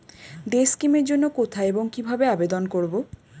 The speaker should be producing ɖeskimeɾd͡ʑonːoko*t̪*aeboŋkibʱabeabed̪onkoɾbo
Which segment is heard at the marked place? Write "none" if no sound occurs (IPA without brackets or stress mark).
t̪ʰ